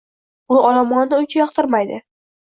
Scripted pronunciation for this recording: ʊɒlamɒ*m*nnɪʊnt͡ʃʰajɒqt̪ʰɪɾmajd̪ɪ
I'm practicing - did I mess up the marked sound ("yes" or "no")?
yes